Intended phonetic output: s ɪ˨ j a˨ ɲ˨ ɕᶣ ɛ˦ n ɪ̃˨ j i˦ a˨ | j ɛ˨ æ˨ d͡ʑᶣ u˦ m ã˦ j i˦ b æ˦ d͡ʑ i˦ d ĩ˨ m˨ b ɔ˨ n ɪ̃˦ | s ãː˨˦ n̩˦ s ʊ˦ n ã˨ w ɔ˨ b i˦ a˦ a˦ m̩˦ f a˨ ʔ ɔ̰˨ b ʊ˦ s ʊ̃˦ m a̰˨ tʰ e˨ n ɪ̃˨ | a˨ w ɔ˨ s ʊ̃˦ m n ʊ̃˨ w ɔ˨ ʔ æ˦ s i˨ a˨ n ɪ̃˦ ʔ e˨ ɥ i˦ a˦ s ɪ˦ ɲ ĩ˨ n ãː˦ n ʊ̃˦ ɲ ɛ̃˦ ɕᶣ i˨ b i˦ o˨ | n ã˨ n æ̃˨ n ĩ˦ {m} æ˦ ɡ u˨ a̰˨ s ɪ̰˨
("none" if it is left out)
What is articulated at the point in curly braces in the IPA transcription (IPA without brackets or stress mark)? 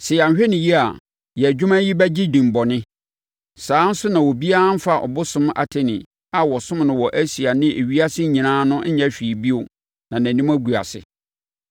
m